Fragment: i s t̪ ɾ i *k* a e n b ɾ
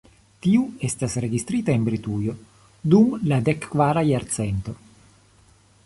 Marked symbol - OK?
no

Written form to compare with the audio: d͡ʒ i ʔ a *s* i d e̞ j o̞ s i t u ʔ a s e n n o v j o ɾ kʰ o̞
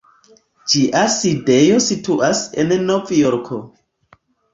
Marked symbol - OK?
yes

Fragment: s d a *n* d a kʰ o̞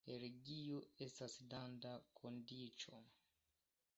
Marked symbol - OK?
yes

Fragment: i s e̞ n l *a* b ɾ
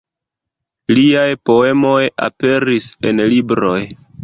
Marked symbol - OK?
no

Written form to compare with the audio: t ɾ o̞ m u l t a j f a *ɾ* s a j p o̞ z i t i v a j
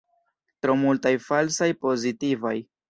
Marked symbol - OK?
no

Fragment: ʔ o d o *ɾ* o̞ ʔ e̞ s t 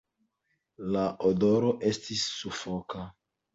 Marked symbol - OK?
yes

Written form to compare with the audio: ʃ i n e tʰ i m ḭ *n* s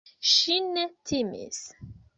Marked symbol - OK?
no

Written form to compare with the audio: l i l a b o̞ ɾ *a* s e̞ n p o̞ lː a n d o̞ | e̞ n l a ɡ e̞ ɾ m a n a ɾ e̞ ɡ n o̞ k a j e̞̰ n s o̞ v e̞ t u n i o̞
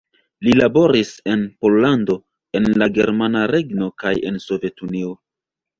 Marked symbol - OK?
no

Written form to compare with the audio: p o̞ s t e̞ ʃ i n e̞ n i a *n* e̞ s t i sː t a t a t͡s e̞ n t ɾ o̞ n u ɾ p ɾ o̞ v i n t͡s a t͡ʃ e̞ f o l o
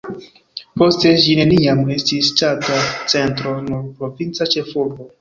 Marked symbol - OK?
no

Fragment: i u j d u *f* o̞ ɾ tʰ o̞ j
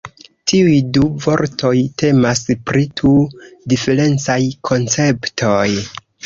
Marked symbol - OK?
no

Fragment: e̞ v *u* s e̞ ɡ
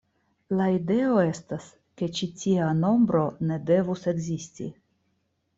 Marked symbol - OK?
yes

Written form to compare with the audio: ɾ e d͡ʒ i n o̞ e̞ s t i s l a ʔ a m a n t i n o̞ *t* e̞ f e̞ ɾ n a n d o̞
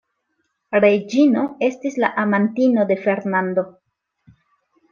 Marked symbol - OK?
no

